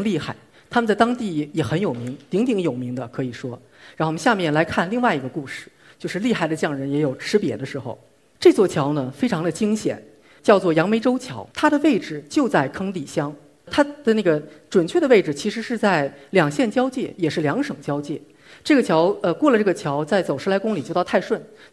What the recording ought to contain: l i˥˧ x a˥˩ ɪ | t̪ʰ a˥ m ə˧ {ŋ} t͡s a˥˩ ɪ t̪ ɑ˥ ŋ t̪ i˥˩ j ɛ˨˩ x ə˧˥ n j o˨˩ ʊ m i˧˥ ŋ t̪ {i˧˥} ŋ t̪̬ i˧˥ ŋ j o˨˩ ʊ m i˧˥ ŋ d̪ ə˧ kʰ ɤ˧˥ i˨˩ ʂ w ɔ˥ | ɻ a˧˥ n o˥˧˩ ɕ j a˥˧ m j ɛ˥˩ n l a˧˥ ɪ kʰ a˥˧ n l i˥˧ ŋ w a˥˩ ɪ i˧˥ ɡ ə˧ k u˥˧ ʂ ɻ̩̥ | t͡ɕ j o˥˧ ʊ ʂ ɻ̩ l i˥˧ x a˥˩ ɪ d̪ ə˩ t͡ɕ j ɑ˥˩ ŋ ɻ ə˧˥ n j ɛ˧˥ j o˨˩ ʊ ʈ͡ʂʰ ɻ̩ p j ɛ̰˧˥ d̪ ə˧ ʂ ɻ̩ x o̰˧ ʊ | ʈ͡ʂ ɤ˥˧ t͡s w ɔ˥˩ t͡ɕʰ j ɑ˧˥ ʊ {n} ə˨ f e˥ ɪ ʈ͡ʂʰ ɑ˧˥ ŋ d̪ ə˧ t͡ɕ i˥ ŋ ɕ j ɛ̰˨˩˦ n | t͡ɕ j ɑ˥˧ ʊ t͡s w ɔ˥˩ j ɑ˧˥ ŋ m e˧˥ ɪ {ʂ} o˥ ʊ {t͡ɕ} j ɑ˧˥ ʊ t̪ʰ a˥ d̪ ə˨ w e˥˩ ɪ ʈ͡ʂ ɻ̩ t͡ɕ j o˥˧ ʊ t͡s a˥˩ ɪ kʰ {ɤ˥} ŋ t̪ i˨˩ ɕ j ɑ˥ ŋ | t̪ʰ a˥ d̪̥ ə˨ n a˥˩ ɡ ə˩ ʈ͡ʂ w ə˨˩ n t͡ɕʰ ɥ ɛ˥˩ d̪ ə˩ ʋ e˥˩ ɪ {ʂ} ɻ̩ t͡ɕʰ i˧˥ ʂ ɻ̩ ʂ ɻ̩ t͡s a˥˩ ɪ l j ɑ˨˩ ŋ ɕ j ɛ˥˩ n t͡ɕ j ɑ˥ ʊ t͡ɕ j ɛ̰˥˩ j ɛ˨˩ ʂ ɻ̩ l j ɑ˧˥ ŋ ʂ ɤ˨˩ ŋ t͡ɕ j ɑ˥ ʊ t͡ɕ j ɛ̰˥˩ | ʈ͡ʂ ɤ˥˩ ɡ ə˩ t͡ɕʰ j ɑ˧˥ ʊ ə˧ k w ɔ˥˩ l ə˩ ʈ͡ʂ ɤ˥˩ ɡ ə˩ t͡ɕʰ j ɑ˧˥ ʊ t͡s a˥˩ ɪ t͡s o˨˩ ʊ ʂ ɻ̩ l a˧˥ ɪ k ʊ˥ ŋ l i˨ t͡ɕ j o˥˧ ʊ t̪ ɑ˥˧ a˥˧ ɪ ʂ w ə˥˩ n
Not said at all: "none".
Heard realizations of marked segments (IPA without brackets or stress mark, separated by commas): n, i˧˥, n, ʈ͡ʂ, t͡ɕʰ, ɤ˥, ʈ͡ʂ